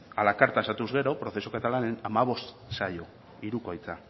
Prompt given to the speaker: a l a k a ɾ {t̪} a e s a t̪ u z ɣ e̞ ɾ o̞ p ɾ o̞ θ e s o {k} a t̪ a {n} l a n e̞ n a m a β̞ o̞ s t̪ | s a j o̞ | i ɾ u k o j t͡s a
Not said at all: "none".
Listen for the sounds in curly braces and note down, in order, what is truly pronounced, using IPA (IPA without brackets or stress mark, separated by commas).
t̪, k, none